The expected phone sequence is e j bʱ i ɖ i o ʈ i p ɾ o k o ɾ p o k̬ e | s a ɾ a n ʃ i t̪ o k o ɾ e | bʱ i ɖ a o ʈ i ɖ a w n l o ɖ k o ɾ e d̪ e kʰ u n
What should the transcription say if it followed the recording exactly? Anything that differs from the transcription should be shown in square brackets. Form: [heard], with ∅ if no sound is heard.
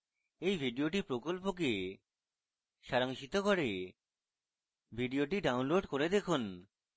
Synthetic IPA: e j bʱ i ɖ i o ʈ i p ɾ o k o [l] p o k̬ e | [ʃ] a ɾ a [ŋ] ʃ i t̪ o k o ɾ e | bʱ i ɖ [i] o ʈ i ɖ a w n l o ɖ k o ɾ e d̪ e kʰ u n